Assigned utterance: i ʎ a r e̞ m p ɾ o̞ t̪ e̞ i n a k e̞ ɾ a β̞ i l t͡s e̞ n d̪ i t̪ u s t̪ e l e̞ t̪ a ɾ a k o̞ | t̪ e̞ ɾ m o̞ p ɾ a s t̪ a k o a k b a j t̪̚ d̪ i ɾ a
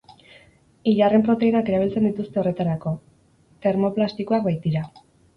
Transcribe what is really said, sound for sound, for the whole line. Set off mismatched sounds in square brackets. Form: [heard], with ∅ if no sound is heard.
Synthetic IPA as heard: i ʎ a r e̞ m p ɾ o̞ t̪ e̞ i n a k e̞ ɾ a β̞ i l t͡s e̞ n d̪ i t̪ u s t̪ e [r] e̞ t̪ a ɾ a k o̞ | t̪ e̞ ɾ m o̞ p [l] a s t̪ [i] k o a k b a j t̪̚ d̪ i ɾ a